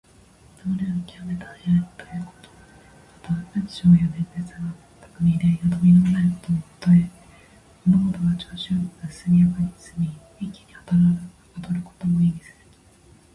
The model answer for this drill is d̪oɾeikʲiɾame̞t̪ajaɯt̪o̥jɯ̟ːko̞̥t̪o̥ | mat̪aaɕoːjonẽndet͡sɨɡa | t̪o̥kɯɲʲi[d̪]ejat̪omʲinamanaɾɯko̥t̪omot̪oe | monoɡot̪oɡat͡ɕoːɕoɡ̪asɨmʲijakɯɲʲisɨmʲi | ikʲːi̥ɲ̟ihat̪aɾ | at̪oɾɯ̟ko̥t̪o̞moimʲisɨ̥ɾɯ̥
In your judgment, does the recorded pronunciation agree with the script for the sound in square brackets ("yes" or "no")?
yes